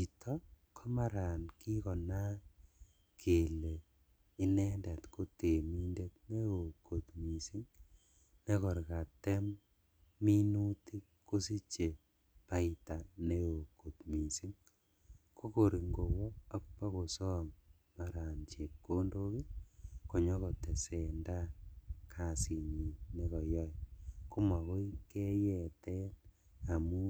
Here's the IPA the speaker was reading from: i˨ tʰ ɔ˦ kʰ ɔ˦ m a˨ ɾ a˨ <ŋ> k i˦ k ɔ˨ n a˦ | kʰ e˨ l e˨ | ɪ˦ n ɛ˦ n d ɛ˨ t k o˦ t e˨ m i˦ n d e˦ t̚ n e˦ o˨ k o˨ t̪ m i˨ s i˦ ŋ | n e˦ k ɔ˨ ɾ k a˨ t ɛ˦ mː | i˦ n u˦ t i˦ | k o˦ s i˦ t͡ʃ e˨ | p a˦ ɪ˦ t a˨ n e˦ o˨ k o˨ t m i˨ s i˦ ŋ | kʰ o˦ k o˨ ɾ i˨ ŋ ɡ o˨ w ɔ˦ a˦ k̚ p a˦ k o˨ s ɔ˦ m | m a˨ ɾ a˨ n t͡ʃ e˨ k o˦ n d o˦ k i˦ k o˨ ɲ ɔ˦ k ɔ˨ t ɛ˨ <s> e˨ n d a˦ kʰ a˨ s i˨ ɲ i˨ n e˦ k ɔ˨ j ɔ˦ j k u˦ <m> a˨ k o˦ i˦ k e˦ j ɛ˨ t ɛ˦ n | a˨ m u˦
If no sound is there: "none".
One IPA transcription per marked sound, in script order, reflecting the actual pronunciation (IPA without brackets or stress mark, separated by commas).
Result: n, s, m